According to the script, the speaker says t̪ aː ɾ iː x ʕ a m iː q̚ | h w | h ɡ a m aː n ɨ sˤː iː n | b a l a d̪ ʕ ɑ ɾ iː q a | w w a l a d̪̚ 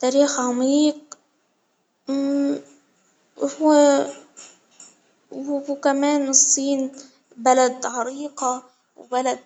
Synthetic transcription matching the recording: t̪ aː ɾ iː x ʕ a m iː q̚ | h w | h k a m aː n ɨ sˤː iː n | b a l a d̪ ʕ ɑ ɾ iː q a | w b a l a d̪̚